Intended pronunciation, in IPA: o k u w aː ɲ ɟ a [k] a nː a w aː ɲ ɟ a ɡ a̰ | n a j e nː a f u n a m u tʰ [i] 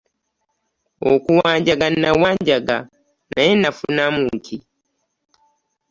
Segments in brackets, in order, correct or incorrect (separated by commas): incorrect, correct